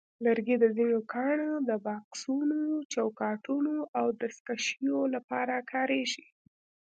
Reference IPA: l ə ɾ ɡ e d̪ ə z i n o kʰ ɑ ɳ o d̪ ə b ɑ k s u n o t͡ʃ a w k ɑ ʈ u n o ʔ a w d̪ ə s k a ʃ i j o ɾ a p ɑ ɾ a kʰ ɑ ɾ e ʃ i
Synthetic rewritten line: l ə ɾ ɡ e d̪ ə z i n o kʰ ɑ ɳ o d̪ ə b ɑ k s u n o t͡ʃ a w k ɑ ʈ u n o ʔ a w d̪ ə s k a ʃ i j o l a p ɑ ɾ a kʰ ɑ ɾ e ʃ i